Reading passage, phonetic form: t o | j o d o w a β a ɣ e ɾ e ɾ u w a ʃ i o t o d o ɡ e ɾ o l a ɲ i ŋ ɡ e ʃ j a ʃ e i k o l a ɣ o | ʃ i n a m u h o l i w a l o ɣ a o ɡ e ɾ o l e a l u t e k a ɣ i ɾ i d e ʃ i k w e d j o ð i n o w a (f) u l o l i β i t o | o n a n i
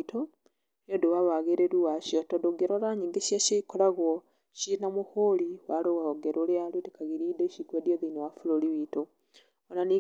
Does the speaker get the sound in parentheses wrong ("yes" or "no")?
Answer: no